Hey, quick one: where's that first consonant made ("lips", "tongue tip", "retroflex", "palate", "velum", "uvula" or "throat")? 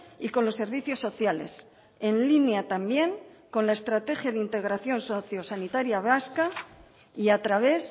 velum